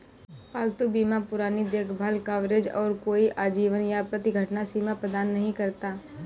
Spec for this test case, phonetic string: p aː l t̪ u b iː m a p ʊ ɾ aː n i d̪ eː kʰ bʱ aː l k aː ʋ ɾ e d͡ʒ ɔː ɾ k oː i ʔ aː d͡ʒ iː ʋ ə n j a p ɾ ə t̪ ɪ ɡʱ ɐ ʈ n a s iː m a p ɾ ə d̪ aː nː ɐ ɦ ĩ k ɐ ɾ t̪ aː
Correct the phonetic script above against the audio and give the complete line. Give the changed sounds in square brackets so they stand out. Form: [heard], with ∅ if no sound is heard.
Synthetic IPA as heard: p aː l t̪ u b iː m a p ʊ ɾ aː n i d̪ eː kʰ bʱ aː l k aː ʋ ɾ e d͡ʒ ɔː ɾ k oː i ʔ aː d͡ʒ iː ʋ ə n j a p ɾ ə t̪ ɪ ɡʱ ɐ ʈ n a s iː m a p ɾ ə d̪ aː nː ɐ ɦ ĩ k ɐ ɾ t̪ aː